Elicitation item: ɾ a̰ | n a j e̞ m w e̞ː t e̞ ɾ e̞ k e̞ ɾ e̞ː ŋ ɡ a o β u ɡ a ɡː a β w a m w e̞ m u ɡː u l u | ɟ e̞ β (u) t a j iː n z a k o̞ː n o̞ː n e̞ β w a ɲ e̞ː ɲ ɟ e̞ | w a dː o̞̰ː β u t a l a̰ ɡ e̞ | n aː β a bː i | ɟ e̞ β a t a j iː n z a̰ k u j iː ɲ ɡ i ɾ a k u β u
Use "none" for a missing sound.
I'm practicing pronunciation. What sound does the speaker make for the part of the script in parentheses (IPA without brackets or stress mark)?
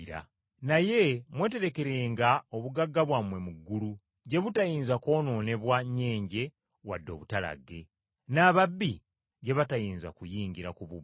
u